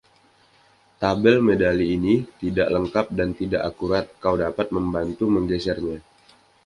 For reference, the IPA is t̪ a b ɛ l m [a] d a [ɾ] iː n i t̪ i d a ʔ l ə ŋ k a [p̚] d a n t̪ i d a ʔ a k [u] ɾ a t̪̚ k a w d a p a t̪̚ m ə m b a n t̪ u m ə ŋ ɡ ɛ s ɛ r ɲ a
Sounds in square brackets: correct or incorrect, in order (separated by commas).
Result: incorrect, incorrect, correct, correct